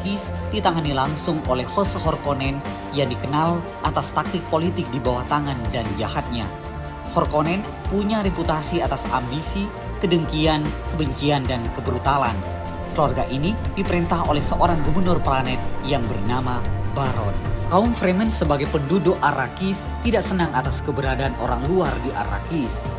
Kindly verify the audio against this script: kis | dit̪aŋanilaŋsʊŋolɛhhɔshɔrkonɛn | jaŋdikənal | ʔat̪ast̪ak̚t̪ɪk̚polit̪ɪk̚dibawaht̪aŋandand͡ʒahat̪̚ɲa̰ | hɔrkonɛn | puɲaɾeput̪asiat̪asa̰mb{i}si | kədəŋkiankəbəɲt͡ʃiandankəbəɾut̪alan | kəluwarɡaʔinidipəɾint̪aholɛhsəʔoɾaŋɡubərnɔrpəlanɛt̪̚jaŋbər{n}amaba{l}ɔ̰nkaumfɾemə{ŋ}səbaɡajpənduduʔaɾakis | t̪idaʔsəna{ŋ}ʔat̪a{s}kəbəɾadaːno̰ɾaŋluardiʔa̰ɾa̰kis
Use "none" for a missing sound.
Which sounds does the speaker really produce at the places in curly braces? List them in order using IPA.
i, n, ɾ, n, ŋ, s

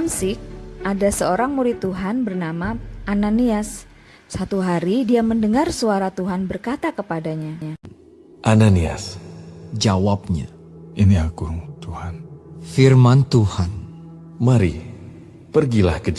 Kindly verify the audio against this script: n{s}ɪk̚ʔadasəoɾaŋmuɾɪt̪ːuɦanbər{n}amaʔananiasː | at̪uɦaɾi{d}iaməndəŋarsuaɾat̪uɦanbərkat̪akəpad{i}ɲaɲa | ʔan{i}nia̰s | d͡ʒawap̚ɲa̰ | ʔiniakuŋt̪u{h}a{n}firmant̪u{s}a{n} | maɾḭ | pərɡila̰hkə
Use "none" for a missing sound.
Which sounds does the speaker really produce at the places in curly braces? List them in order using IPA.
s, n, d, a, a, h, n, h, n

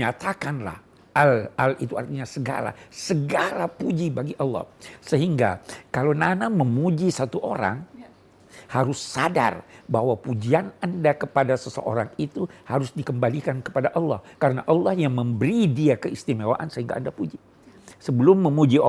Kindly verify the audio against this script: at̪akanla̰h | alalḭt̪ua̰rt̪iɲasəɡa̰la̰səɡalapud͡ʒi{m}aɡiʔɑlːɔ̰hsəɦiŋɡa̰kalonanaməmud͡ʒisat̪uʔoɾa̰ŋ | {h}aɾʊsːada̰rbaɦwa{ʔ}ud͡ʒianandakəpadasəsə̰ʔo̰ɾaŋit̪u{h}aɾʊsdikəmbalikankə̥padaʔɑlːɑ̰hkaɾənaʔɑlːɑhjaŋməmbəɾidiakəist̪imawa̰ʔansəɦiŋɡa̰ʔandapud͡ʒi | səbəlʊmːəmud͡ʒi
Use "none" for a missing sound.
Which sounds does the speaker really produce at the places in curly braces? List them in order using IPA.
b, h, p, h

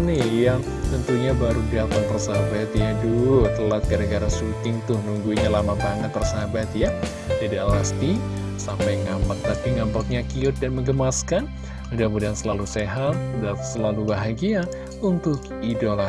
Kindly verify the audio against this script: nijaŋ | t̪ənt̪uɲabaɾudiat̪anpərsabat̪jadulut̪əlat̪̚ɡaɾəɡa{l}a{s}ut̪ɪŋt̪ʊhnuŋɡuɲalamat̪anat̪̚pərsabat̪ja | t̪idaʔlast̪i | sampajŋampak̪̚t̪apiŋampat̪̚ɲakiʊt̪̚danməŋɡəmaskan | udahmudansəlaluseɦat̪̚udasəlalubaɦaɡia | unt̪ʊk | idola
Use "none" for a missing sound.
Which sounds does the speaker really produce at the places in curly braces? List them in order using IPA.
ɾ, s

